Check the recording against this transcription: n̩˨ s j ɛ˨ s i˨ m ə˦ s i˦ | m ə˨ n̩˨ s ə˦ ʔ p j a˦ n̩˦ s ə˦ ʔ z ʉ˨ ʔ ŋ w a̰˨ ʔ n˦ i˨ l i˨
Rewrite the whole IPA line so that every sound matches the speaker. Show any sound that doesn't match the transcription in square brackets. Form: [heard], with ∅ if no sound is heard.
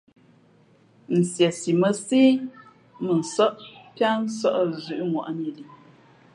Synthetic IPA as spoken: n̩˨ s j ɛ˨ s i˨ m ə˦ s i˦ | m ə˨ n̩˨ s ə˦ ʔ p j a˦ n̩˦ s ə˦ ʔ z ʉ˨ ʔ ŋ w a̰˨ ʔ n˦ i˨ l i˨

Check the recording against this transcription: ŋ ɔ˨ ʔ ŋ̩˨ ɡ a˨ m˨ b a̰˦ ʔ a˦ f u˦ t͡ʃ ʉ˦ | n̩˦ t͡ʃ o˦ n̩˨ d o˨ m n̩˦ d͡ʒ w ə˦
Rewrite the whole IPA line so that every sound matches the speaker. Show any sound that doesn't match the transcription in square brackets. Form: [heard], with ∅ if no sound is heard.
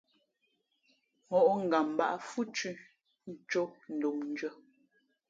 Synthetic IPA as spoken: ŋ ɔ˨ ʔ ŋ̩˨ ɡ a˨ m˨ b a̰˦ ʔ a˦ f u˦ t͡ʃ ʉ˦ | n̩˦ t͡ʃ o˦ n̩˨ d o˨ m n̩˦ d͡ʒ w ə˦

